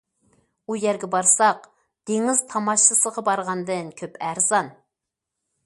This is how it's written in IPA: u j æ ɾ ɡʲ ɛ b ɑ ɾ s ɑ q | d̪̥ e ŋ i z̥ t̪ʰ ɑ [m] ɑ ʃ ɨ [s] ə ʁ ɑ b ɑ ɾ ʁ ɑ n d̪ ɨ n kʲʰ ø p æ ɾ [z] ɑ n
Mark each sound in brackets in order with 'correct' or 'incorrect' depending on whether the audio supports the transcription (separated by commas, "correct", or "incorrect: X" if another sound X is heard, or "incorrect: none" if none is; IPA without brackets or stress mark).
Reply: correct, correct, correct